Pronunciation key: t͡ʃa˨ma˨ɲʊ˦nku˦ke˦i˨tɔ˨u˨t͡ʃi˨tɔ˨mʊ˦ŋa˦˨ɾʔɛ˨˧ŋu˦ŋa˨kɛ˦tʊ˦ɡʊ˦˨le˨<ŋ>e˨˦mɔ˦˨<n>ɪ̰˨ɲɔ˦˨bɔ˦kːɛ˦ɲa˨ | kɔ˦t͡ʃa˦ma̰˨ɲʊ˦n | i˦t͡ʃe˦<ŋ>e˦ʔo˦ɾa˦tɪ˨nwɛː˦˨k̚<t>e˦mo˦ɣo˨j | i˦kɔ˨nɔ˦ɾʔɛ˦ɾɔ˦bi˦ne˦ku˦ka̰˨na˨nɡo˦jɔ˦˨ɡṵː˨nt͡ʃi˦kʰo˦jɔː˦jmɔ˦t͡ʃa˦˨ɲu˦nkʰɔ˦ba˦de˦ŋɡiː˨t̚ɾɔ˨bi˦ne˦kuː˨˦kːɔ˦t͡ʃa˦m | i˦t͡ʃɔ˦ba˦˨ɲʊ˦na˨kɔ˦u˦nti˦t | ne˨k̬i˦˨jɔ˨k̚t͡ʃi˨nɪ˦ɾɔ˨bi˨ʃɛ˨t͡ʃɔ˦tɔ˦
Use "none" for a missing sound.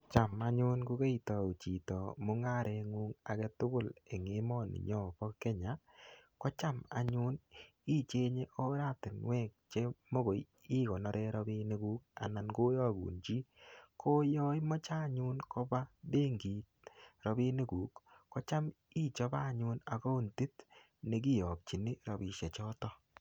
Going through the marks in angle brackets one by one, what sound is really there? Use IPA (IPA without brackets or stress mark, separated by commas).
ŋ, n, ɲ, t͡ʃ